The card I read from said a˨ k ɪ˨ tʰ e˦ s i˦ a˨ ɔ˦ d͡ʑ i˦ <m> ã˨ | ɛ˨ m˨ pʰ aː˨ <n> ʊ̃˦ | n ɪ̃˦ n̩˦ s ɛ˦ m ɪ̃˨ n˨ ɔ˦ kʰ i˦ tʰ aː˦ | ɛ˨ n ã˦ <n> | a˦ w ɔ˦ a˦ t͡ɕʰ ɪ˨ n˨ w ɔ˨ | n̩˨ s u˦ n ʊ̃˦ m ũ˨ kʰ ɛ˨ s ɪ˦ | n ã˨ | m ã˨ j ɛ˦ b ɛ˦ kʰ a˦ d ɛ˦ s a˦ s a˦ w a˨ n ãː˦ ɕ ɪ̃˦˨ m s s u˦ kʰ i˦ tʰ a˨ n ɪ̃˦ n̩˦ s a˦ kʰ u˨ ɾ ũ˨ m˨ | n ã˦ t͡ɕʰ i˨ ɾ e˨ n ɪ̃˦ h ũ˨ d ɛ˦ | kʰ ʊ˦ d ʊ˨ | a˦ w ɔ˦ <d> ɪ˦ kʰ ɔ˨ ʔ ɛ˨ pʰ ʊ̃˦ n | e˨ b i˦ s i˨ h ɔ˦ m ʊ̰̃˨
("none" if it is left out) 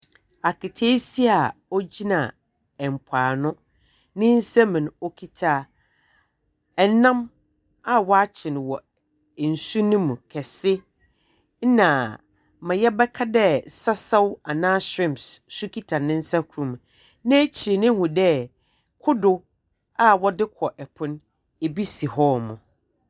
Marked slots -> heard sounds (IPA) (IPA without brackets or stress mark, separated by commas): n, n, m, d